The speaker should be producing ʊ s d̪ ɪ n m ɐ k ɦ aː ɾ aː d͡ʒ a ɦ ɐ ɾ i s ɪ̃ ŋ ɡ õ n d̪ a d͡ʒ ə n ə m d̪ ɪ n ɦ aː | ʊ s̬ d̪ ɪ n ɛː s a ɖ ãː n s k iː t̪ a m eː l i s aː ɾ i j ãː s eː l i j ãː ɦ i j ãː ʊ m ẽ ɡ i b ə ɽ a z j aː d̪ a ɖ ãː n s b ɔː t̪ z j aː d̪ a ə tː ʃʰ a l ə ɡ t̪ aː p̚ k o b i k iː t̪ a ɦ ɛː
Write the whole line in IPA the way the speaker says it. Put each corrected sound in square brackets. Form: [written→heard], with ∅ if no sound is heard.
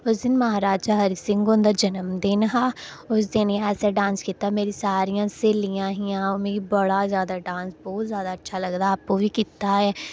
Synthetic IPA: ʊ s d̪ ɪ n m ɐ [k→∅] ɦ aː ɾ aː d͡ʒ a ɦ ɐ ɾ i s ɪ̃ ŋ ɡ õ n d̪ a d͡ʒ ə n ə m d̪ ɪ n ɦ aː | ʊ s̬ d̪ ɪ n ɛː s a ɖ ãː n s k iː t̪ a m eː [l→ɾ] i s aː ɾ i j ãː s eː l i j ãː ɦ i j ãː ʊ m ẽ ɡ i b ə ɽ a z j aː d̪ a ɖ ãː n s b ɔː t̪ z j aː d̪ a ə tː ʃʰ a l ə ɡ [t̪→d̪] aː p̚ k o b i k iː t̪ a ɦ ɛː